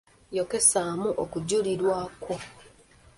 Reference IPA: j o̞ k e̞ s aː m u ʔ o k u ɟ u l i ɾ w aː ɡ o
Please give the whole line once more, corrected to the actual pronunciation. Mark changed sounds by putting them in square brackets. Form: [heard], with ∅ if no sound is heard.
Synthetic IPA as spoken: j o̞ k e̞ s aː m u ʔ o k u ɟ u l i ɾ w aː [k] o